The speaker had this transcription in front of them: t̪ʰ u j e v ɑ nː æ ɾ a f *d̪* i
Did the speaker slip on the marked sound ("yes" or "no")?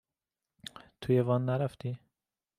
yes